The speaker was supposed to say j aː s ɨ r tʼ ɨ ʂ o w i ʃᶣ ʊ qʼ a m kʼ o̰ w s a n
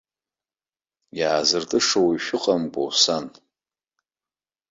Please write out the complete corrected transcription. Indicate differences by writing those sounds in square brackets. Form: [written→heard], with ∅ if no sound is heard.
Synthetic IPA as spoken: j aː [s→z] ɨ r tʼ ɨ ʂ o w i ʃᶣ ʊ qʼ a m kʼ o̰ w s a n